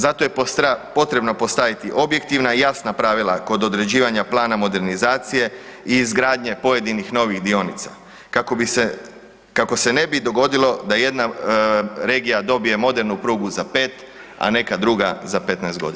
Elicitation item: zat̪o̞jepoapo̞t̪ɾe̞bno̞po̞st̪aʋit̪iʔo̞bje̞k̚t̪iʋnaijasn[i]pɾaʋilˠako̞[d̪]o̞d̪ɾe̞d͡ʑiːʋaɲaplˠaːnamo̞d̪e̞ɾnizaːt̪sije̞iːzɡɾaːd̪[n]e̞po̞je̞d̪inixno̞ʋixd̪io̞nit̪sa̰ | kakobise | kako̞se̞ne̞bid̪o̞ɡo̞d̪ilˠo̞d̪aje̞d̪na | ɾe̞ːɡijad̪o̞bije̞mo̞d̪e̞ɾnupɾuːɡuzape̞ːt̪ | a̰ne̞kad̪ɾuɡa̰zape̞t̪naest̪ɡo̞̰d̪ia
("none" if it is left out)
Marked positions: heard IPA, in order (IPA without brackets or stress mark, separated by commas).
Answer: a, d̪, ɲ